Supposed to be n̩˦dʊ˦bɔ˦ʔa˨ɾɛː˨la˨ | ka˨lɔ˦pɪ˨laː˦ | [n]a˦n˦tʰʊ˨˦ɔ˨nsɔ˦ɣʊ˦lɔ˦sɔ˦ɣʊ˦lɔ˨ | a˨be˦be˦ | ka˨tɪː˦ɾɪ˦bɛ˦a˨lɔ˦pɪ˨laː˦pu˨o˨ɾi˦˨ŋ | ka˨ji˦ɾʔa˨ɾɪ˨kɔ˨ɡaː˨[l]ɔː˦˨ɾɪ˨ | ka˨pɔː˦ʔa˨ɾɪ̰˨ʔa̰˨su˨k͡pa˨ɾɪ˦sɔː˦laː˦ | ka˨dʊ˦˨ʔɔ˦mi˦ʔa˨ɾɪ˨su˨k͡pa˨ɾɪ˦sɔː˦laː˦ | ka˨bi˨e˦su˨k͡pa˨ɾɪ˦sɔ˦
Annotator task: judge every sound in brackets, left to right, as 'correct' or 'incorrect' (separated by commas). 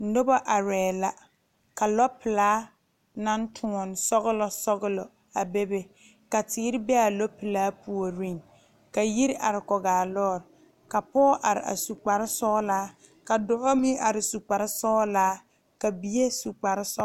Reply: correct, correct